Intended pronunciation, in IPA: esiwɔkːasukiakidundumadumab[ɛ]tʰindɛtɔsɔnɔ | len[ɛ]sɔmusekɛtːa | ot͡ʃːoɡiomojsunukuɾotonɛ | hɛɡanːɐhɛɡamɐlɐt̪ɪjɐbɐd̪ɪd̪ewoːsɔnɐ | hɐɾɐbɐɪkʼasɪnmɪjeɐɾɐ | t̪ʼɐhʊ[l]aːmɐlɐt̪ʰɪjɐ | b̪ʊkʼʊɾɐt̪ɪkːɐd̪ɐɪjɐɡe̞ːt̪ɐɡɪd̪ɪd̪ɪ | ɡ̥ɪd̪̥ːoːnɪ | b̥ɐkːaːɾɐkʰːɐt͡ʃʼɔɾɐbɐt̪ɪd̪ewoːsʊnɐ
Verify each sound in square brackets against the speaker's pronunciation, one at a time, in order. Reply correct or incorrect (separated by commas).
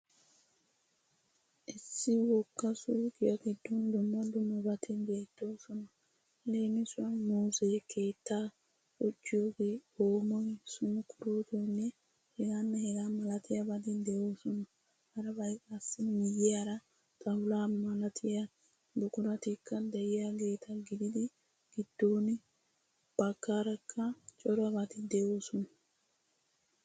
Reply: incorrect, incorrect, correct